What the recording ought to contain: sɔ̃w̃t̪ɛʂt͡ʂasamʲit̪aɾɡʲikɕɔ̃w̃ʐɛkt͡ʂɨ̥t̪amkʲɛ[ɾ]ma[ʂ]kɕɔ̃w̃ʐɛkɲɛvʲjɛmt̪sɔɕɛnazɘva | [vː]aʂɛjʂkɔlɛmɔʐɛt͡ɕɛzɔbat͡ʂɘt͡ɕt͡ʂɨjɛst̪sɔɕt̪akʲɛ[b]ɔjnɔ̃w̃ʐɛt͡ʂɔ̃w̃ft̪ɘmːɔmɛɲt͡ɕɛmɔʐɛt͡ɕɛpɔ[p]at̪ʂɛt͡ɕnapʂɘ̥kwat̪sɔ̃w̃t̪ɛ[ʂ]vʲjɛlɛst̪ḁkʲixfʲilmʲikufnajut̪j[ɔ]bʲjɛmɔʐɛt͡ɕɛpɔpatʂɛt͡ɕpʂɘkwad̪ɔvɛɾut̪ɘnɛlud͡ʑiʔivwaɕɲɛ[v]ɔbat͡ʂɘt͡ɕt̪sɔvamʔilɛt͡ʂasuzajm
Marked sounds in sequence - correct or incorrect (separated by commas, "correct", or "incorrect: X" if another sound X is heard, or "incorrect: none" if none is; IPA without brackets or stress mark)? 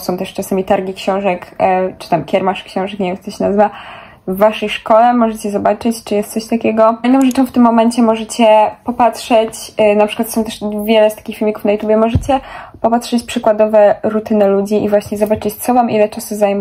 correct, correct, correct, incorrect: ɡ, correct, correct, incorrect: u, incorrect: z